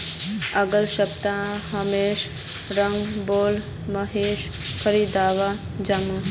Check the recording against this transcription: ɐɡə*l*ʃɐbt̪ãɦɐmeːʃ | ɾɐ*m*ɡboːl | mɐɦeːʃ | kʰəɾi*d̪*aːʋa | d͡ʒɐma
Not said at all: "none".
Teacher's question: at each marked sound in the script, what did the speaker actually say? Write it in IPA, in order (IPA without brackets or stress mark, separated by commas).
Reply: l, ŋ, d̪